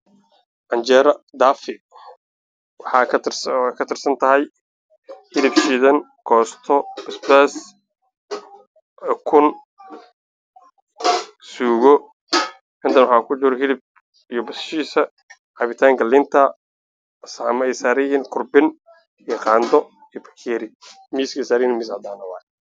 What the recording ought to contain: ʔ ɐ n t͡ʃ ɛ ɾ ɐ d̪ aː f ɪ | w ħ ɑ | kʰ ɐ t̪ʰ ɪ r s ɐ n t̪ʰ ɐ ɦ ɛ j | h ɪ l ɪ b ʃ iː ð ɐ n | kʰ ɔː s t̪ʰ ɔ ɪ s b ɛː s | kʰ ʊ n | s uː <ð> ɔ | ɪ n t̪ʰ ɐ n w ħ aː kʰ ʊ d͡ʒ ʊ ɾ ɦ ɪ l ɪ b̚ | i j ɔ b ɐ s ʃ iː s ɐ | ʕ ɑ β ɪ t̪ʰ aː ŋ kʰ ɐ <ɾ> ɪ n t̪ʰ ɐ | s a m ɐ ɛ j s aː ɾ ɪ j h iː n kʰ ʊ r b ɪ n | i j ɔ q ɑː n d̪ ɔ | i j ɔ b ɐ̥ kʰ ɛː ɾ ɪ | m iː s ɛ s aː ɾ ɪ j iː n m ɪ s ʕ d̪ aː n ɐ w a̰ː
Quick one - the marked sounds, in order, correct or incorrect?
incorrect: ɣ, incorrect: l

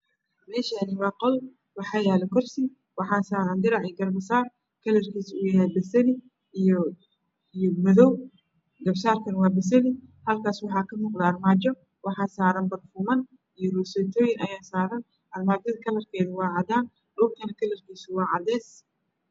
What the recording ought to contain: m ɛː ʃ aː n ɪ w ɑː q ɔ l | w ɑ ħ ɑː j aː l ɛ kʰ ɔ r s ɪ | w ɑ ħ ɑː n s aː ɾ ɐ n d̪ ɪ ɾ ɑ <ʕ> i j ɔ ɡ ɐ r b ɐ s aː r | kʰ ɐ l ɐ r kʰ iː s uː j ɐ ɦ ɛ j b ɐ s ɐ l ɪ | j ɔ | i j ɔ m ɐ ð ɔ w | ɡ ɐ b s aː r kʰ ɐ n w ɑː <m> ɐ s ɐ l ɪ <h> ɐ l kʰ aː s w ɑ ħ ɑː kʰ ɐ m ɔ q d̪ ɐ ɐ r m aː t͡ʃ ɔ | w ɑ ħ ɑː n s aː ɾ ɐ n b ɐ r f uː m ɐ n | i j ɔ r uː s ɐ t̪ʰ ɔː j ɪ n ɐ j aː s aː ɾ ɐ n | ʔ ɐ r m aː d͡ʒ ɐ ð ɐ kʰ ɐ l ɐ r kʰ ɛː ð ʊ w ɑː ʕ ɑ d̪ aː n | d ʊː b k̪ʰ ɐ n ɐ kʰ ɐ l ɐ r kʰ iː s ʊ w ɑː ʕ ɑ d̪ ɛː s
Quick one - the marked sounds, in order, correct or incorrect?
correct, incorrect: b, correct

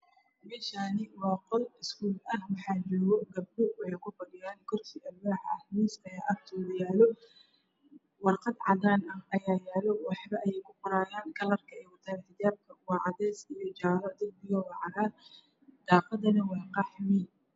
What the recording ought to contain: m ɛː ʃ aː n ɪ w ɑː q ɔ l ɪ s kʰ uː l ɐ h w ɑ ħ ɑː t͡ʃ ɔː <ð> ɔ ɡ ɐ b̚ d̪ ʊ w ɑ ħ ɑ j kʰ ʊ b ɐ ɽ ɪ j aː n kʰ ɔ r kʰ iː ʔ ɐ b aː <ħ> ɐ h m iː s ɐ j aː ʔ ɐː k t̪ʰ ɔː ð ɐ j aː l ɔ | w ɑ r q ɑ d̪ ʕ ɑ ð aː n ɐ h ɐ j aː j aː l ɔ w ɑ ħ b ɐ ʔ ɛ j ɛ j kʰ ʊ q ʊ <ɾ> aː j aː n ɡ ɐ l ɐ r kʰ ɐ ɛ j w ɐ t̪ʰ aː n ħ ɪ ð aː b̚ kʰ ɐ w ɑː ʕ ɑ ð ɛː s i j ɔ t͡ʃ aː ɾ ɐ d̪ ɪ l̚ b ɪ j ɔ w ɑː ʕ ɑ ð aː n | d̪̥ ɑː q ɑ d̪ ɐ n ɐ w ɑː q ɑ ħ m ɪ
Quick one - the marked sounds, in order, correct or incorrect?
incorrect: ɣ, correct, correct

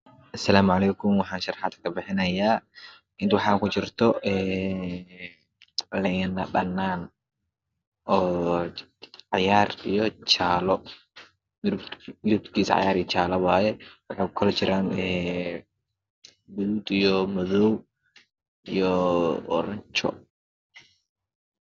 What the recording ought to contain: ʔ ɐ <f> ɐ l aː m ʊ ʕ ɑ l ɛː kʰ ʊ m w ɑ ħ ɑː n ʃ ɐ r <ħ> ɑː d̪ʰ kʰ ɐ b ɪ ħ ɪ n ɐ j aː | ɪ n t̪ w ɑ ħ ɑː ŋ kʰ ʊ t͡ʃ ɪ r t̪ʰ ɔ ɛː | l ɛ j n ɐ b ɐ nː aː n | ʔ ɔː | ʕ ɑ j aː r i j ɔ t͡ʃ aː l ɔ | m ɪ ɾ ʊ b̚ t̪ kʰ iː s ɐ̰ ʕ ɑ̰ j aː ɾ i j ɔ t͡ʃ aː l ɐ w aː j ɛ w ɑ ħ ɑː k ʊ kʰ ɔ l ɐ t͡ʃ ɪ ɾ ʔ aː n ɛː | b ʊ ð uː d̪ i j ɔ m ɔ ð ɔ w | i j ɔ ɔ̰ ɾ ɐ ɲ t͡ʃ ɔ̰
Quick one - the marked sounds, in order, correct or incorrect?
incorrect: s, correct

